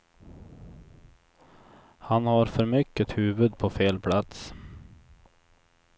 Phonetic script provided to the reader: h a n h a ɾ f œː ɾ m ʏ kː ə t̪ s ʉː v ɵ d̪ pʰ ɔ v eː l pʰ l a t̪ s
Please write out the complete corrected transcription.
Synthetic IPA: h a n h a ɾ f œ ɾ m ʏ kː ə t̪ h ʉː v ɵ d̪ pʰ ɔ f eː l pʰ l a t̪ s